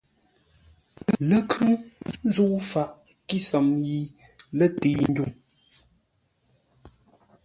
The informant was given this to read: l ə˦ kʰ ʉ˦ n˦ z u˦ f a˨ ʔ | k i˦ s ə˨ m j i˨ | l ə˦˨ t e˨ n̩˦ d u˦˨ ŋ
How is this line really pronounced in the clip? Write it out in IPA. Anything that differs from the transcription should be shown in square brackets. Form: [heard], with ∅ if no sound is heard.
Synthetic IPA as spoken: l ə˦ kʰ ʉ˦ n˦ z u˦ f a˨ ʔ | k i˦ s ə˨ m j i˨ | l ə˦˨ t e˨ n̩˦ d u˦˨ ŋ